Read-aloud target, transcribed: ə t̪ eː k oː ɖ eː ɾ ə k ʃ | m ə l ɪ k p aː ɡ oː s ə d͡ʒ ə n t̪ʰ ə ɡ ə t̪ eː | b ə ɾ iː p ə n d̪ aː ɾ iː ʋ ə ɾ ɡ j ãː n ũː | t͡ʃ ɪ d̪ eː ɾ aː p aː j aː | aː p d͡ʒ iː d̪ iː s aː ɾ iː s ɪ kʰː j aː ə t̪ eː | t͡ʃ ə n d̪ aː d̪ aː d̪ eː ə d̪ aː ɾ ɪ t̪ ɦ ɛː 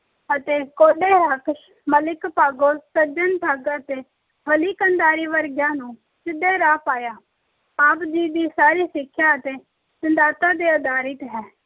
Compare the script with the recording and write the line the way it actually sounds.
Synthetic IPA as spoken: ə t̪ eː k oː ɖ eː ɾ ə k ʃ | m ə l ɪ k p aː ɡ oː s ə d͡ʒ ə n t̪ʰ ə ɡ ə t̪ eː | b ə l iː k ə n d̪ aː ɾ iː ʋ ə ɾ ɡ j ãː n ũː | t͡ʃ ɪ d̪ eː ɾ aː p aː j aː | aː p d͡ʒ iː d̪ iː s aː ɾ iː s ɪ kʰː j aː ə t̪ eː | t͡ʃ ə n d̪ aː t̪ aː d̪ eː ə d̪ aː ɾ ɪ t̪ ɦ ɛː

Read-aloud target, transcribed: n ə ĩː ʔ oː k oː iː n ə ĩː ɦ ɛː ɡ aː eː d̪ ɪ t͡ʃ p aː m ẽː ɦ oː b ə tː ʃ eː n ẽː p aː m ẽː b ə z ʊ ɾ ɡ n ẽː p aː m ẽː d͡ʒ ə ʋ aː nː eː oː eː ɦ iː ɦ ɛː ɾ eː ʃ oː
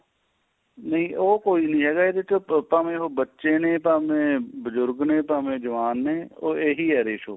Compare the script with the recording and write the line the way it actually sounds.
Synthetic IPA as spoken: n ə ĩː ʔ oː k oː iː n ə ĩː ɦ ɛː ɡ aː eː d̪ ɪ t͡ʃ p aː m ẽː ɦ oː b ə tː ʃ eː n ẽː p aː m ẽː b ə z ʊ ɾ ɡ n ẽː p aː m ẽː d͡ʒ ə ʋ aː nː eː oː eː ɦ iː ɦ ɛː ɾ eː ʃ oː

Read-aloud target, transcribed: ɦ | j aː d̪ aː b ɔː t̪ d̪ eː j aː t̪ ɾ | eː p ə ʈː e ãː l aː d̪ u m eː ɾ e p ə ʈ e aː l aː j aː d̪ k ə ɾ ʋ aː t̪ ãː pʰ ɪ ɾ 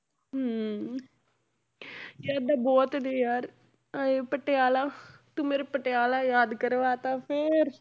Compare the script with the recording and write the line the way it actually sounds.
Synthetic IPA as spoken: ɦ | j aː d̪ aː b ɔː t̪ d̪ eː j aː ɾ | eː p ə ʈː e aː l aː t̪ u m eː ɾ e p ə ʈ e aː l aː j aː d̪ k ə ɾ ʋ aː t̪ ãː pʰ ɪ ɾ

